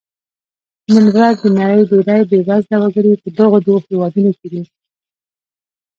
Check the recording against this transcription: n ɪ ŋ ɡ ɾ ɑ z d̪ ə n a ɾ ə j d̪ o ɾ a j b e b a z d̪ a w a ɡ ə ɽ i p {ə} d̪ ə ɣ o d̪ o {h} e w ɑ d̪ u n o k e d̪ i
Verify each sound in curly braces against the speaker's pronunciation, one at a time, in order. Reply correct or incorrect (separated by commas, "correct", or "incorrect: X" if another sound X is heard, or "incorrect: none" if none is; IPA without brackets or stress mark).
correct, correct